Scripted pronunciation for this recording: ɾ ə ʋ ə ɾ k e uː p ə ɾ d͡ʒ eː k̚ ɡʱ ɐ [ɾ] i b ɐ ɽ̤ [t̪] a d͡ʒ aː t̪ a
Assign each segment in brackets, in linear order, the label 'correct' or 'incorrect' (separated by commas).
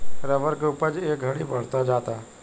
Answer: incorrect, correct